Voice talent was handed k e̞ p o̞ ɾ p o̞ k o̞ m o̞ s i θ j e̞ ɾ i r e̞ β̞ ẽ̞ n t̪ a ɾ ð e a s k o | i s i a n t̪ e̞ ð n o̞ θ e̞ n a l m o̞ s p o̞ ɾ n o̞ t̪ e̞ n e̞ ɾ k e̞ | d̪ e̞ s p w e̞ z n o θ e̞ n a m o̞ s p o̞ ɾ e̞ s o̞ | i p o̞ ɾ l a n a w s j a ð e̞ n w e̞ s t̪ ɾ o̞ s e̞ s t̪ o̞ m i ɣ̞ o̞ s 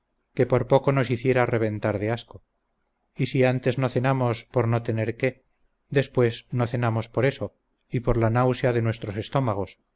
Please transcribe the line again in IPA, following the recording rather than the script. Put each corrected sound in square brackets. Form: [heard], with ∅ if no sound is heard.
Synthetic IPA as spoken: k e̞ p o̞ ɾ p o̞ k o̞ [n] o̞ s i θ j e̞ ɾ [a] r e̞ β̞ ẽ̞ n t̪ a ɾ ð e a s k o | i s i a n t̪ e̞ [z] n o̞ θ e̞ n a [∅] m o̞ s p o̞ ɾ n o̞ t̪ e̞ n e̞ ɾ k e̞ | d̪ e̞ s p w e̞ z n o θ e̞ n a m o̞ s p o̞ ɾ e̞ s o̞ | i p o̞ ɾ l a n a w s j a ð e̞ n w e̞ s t̪ ɾ o̞ s e̞ s t̪ o̞ m [a] ɣ̞ o̞ s

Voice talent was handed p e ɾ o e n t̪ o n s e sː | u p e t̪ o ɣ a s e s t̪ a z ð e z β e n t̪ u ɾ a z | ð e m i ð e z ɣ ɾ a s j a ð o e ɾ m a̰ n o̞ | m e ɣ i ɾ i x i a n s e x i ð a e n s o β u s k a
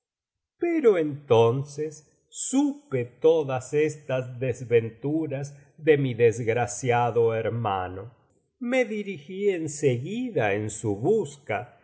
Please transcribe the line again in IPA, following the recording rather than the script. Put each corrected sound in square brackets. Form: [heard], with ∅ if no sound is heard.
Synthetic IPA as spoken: p e ɾ o e n t̪ o n s e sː | u p e t̪ o [ð] a s e s t̪ a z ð e z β e n t̪ u ɾ a z | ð e m i ð e z ɣ ɾ a s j a ð o e ɾ m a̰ n o̞ | m e [ð] i ɾ i x i [e] n s e [ɣ] i ð a e n s [u] β u s k a

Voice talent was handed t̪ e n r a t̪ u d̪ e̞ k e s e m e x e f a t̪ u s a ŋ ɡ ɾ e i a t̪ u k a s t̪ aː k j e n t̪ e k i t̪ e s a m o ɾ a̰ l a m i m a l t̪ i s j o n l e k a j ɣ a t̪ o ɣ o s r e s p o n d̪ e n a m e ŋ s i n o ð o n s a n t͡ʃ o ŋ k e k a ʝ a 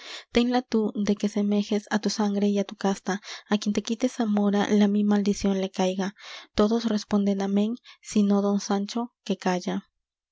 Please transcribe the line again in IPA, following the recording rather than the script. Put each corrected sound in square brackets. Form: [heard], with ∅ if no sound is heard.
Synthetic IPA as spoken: t̪ e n [l] a t̪ u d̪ e̞ k e s e m e x e [s] a t̪ u s a ŋ ɡ ɾ e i a t̪ u k a s t̪ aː k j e n t̪ e k i t̪ e s a m o ɾ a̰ l a m i m a l [d̪] i s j o n l e k a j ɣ a t̪ o [ð] o s r e s p o n d̪ e n a m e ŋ s i n o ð o n s a n t͡ʃ o [∅] k e k a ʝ a

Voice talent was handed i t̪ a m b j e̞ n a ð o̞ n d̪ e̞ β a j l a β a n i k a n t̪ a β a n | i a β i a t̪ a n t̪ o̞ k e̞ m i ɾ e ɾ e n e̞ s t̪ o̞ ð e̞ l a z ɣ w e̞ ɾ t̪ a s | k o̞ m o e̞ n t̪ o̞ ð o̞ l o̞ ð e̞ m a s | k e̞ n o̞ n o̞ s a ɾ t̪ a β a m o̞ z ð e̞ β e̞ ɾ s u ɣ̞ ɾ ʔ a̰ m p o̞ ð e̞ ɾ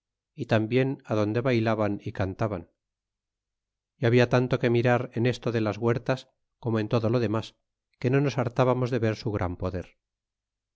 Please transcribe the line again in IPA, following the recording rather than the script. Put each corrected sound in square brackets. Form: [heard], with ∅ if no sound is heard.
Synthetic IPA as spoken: i t̪ a m b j e̞ n a ð o̞ n d̪ e̞ β a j l a β a n i k a n t̪ a β a n | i a β i a t̪ a n t̪ o̞ k e̞ m i ɾ [a] ɾ e n e̞ s t̪ o̞ ð e̞ l a z ɣ w e̞ ɾ t̪ a s | k o̞ m o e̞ n t̪ o̞ ð o̞ l o̞ ð e̞ m a s | k e̞ n o̞ n o̞ s a ɾ t̪ a β a m o̞ z ð e̞ β e̞ ɾ s u ɣ̞ ɾ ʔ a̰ m p o̞ ð e̞ ɾ

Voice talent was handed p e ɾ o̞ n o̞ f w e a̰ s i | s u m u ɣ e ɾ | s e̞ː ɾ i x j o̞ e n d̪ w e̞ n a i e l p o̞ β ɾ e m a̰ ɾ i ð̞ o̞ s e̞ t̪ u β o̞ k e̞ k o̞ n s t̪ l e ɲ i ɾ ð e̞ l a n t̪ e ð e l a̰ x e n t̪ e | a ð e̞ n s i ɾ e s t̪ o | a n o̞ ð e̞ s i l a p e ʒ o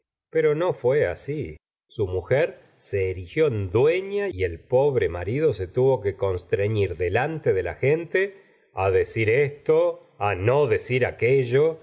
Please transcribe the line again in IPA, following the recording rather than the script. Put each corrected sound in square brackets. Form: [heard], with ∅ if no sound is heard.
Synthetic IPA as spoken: p e ɾ o̞ n o̞ f w e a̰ s i | s u m u [x] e ɾ | s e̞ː ɾ i x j o̞ e n d̪ w e̞ [ɲ] a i e l p o̞ β ɾ e m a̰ ɾ i ð̞ o̞ s e̞ t̪ u β o̞ k e̞ k o̞ n s t̪ [ɾ] e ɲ i ɾ ð e̞ l a n t̪ e ð e l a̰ x e n t̪ e | a ð e̞ [∅] s i ɾ e s t̪ o | a n o̞ ð e̞ s i [ɾ] a [k] e ʒ o

